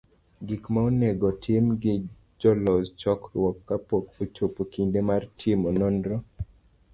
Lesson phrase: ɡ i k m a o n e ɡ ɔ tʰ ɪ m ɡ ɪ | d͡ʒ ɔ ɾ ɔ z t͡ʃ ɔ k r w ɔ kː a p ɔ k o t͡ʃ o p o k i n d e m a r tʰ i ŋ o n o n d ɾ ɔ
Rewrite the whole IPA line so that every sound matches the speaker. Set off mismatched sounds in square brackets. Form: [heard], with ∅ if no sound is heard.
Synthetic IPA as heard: ɡ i k m a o n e ɡ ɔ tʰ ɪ m ɡ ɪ | d͡ʒ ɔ [l] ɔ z t͡ʃ ɔ k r w ɔ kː a p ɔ k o t͡ʃ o p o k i n d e m a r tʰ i [m] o n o n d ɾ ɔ